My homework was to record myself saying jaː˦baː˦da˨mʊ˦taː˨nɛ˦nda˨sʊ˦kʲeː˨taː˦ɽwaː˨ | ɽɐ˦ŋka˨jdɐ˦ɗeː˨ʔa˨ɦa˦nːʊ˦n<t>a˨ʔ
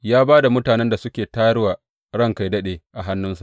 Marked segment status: incorrect: s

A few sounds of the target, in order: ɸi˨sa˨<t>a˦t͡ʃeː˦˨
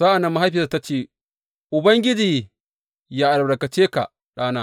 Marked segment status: correct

